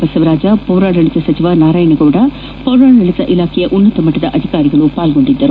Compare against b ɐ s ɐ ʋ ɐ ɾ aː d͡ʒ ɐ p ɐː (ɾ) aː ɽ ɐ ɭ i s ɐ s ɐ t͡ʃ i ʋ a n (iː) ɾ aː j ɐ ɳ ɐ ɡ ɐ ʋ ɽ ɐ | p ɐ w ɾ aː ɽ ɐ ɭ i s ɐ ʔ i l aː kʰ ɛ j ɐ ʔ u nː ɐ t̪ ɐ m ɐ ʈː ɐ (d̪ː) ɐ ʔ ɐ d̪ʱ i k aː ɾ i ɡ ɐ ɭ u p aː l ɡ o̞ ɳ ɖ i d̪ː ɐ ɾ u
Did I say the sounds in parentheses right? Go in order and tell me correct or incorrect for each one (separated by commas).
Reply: correct, incorrect, incorrect